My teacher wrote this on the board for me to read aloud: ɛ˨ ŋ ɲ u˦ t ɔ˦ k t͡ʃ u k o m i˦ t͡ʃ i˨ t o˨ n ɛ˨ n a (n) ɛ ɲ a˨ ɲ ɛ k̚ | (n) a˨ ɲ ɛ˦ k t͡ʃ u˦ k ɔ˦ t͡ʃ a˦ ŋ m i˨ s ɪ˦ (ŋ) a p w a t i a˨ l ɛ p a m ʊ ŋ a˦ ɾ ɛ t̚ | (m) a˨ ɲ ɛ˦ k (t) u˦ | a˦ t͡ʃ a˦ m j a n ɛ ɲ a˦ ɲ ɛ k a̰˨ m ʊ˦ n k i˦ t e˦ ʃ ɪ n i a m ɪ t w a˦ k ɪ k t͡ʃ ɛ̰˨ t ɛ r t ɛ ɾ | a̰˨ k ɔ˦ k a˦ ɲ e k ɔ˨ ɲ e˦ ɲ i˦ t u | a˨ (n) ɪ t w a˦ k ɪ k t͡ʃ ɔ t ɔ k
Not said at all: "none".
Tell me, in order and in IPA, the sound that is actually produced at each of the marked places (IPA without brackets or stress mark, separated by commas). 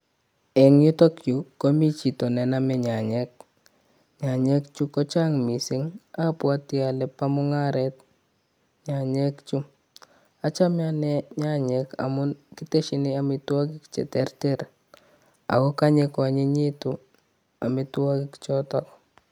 m, ɲ, ŋ, ɲ, t͡ʃ, m